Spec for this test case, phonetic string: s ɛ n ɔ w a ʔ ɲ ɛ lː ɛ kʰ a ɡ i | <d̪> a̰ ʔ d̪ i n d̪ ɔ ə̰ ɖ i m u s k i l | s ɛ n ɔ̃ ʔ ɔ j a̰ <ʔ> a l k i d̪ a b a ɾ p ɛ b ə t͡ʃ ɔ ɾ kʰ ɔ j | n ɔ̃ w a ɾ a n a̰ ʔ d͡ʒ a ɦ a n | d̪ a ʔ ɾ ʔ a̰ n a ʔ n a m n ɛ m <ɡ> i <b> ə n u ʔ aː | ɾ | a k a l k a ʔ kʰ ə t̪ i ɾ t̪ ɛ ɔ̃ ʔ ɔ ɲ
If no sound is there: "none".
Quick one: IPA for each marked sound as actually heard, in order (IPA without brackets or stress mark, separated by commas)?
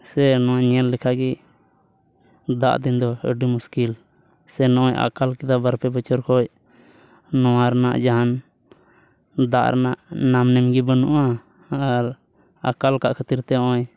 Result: d̪, k, ɡ, b